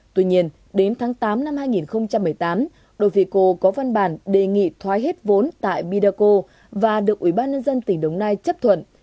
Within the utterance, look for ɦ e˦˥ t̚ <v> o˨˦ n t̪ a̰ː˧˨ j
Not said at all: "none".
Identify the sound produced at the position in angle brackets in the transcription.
v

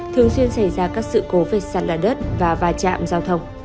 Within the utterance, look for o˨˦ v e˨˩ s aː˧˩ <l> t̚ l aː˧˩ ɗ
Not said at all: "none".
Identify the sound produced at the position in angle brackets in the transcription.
none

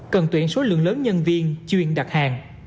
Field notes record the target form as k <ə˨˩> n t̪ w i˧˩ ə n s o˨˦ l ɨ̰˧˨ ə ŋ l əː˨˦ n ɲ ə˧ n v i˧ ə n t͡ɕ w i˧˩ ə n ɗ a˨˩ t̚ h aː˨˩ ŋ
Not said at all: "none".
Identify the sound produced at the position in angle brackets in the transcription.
ə˨˩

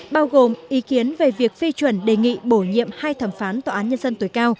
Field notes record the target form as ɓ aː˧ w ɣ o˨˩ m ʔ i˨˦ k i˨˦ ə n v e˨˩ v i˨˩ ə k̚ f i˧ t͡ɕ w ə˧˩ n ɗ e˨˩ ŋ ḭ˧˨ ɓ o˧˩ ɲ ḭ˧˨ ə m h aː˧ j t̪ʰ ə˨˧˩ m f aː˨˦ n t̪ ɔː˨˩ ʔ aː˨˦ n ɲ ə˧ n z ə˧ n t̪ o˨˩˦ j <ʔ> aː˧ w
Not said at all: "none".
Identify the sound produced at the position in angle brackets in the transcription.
k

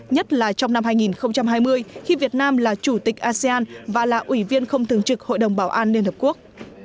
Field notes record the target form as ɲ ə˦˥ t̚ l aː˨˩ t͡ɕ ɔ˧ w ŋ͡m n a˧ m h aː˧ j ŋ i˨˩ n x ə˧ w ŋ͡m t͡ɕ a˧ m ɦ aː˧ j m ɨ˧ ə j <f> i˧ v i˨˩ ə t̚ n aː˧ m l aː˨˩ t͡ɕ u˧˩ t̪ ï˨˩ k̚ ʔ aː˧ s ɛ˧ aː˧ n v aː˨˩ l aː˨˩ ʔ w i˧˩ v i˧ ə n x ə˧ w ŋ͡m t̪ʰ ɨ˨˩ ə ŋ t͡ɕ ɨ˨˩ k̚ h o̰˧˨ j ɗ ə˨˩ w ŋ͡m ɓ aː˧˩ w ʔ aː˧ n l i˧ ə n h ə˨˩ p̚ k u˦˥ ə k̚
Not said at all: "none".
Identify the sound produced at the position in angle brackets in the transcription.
x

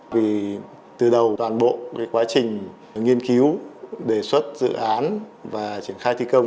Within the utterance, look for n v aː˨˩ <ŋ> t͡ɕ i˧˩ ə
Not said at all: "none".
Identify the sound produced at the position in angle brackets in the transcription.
none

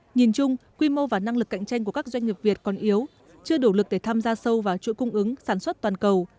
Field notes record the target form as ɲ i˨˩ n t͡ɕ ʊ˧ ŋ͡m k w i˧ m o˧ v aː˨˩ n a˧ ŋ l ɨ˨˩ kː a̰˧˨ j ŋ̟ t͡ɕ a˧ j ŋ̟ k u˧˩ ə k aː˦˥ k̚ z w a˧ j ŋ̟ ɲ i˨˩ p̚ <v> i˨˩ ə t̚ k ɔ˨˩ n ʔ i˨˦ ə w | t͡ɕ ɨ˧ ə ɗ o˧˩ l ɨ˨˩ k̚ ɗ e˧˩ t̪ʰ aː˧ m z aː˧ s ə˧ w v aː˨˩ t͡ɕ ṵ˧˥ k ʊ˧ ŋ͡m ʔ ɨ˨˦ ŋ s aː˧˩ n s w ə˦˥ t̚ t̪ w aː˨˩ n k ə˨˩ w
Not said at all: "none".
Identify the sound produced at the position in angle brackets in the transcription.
v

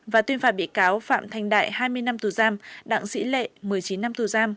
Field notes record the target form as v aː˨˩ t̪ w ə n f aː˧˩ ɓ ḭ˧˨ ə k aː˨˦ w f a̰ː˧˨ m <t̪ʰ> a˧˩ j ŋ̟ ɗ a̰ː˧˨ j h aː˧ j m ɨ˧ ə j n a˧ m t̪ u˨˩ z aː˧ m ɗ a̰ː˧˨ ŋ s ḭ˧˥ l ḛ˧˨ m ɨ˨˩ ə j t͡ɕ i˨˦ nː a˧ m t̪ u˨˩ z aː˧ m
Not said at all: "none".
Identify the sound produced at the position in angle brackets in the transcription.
t̪ʰ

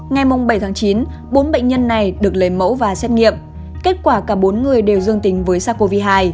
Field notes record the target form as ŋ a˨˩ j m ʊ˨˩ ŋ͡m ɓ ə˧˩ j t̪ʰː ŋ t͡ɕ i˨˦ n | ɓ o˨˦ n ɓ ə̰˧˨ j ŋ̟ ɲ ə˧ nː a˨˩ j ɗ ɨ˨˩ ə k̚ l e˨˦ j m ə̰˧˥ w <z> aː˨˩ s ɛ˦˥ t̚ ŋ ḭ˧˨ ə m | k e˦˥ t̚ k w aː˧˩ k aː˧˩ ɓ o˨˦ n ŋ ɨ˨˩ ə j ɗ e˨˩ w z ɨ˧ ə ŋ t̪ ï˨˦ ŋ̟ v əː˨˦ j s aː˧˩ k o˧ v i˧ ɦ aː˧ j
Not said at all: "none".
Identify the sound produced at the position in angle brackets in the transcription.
v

